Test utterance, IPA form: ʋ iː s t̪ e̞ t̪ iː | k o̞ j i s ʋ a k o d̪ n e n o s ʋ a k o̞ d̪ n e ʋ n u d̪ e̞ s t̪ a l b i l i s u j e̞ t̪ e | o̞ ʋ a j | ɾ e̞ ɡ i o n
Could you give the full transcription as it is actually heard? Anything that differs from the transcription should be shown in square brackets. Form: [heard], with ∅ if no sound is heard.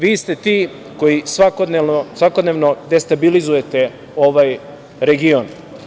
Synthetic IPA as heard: ʋ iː s t̪ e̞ t̪ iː | k o̞ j i s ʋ a k o d̪ n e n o s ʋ a k o̞ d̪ n e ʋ n [o] d̪ e̞ s t̪ a [∅] b i l i [z] u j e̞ t̪ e | o̞ ʋ a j | ɾ e̞ ɡ i o n